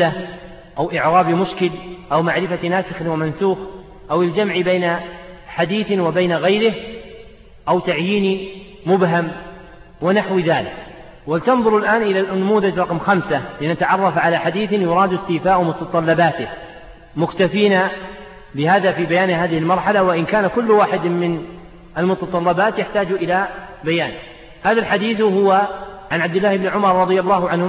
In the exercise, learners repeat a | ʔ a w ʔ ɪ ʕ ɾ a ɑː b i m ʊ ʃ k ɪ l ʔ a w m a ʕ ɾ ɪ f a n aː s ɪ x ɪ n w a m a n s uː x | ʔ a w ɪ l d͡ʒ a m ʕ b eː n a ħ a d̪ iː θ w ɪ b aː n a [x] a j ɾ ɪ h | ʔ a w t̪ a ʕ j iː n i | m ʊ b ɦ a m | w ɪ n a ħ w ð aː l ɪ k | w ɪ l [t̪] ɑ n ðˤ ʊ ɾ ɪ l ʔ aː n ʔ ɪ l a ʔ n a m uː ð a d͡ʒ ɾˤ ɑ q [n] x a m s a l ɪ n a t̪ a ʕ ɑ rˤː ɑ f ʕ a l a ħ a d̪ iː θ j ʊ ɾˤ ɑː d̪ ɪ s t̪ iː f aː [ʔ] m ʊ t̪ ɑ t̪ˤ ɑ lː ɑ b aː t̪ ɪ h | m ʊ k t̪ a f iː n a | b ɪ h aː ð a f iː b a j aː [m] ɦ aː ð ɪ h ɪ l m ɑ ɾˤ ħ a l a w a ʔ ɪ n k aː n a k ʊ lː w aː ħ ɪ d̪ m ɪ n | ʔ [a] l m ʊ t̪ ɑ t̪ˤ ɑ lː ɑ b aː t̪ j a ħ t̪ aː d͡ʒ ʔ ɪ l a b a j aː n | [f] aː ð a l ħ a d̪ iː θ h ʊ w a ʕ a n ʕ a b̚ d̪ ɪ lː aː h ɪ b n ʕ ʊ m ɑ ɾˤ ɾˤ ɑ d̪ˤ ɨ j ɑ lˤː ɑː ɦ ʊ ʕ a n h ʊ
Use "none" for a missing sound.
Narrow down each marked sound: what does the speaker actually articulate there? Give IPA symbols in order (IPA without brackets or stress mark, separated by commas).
ɣ, t̪, m, ʔ, n, a, h